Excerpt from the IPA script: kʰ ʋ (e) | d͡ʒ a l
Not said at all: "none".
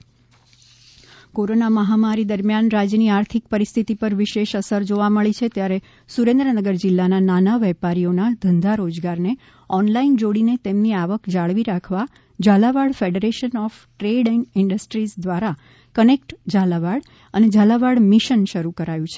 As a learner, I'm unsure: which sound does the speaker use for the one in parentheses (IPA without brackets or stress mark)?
a